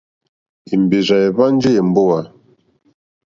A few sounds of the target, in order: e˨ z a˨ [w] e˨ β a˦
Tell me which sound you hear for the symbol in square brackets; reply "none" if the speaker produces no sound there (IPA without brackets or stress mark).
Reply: none